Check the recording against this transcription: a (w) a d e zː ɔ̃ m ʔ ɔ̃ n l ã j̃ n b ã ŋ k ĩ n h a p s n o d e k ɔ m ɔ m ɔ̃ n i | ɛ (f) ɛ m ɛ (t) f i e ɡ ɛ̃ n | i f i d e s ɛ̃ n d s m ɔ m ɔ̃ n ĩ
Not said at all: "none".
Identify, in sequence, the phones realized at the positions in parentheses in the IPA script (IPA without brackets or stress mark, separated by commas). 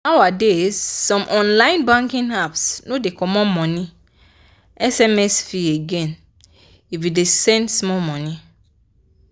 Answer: w, s, s